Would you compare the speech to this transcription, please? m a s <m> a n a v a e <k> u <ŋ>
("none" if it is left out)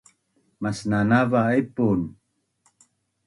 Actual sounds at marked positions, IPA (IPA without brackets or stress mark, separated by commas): n, p, n